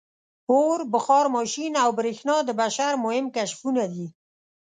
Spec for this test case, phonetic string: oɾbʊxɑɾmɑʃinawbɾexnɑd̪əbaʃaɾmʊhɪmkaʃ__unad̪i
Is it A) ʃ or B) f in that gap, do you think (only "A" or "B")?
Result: B